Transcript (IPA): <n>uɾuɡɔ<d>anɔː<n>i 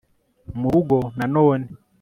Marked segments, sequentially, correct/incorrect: incorrect, incorrect, correct

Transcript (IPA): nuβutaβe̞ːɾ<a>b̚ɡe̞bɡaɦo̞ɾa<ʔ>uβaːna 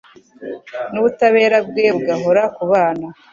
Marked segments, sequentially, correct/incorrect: correct, incorrect

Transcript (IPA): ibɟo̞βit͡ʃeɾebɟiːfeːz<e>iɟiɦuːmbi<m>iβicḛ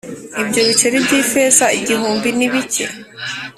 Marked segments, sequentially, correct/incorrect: incorrect, incorrect

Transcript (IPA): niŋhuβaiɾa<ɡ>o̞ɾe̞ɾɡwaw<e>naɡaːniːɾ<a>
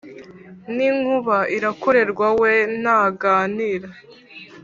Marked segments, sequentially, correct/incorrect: incorrect, correct, correct

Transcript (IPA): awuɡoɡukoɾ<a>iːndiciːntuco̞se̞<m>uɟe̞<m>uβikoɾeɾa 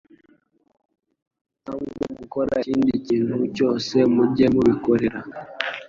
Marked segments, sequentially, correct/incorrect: correct, correct, correct

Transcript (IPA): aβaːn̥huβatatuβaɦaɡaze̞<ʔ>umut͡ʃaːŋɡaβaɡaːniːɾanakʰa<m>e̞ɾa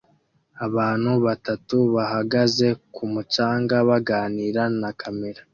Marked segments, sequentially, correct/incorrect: incorrect, correct

